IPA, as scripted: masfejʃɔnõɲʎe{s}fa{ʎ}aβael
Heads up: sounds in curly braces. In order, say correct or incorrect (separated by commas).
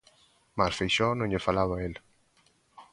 incorrect, incorrect